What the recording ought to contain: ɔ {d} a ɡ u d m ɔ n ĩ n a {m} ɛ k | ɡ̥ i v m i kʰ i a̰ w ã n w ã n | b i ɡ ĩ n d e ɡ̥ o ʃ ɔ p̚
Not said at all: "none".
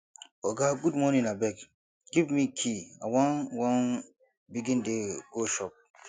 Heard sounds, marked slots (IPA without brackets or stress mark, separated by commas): ɡ, b